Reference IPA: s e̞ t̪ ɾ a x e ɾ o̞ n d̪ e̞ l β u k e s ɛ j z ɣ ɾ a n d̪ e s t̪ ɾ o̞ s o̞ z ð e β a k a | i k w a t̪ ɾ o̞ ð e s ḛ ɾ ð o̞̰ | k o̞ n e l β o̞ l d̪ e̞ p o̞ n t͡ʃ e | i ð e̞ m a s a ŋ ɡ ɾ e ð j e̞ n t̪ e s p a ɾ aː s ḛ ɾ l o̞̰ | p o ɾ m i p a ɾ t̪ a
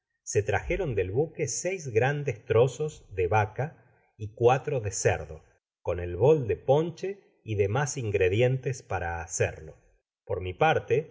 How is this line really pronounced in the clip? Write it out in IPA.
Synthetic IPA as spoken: s e̞ t̪ ɾ a x e ɾ o̞ n d̪ e̞ l β u k e s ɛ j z ɣ ɾ a n d̪ e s t̪ ɾ o̞ s o̞ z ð e β a k a | i k w a t̪ ɾ o̞ ð e s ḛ ɾ ð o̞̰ | k o̞ n e l β o̞ l d̪ e̞ p o̞ n t͡ʃ e | i ð e̞ m a s i ŋ ɡ ɾ e ð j e̞ n t̪ e s p a ɾ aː s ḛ ɾ l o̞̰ | p o ɾ m i p a ɾ t̪ e

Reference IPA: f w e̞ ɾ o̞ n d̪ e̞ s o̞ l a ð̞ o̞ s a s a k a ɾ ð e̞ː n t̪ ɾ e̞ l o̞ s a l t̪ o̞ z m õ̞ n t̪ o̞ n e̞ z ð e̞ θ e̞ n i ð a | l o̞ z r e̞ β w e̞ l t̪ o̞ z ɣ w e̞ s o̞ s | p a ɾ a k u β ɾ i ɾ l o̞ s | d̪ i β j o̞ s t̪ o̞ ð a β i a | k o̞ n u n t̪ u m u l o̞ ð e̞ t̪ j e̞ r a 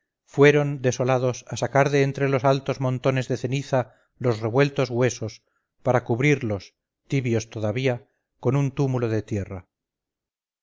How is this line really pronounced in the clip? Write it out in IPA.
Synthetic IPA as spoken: f w e̞ ɾ o̞ n d̪ e̞ s o̞ l a ð̞ o̞ s a s a k a ɾ ð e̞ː n t̪ ɾ e̞ l o̞ s a l t̪ o̞ z m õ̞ n t̪ o̞ n e̞ z ð e̞ θ e̞ n i θ a | l o̞ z r e̞ β w e̞ l t̪ o̞ z ɣ w e̞ s o̞ s | p a ɾ a k u β ɾ i ɾ l o̞ s | t̪ i β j o̞ s t̪ o̞ ð a β i a | k o̞ n u n t̪ u m u l o̞ ð e̞ t̪ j e̞ r a

